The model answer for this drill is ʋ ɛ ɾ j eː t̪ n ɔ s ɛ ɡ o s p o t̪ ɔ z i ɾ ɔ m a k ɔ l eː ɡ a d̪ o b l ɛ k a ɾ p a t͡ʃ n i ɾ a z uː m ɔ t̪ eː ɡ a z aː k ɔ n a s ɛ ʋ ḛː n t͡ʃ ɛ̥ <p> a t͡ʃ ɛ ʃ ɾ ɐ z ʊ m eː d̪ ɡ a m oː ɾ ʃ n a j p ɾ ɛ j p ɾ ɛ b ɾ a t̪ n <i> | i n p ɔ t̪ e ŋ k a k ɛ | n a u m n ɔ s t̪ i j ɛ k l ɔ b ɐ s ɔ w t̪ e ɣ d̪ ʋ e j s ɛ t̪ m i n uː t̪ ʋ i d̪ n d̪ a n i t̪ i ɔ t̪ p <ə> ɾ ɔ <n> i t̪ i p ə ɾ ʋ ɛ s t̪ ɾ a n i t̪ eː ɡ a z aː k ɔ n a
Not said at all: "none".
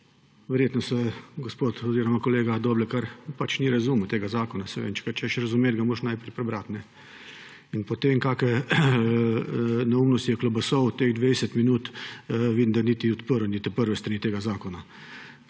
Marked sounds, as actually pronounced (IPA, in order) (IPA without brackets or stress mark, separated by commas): k, ɛ, ə, n